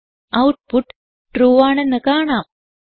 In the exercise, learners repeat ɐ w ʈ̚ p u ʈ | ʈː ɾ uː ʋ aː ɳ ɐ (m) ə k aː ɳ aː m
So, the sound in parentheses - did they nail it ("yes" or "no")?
no